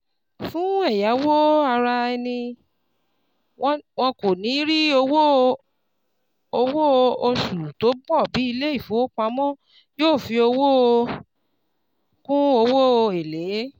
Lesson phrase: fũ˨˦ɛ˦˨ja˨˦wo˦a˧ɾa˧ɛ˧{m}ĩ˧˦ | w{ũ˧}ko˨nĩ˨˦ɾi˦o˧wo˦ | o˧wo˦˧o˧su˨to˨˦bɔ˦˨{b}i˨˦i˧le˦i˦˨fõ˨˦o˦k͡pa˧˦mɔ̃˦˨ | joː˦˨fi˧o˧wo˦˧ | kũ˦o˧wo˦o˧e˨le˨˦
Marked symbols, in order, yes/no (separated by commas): no, no, yes